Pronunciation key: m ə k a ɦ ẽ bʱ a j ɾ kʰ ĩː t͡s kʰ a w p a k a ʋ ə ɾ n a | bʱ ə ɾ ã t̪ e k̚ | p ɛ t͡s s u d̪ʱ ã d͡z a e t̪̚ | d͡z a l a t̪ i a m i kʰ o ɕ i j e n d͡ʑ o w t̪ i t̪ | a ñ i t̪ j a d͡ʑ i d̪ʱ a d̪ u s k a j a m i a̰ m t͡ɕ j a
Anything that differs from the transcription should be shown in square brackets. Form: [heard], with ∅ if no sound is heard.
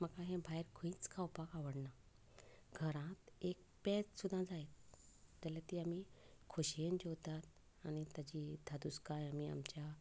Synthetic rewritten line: m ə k a ɦ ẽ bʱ a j ɾ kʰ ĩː t͡s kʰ a w p a k a ʋ ə [ɽ] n a | [ɡʱ] ə ɾ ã t̪ e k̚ | p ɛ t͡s s u d̪ʱ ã d͡z a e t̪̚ | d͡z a l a t̪ i a m i kʰ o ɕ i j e n d͡ʑ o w t̪ [a] t̪ | a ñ i t̪ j a d͡ʑ i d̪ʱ a d̪ u s k a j a m i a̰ m t͡ɕ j a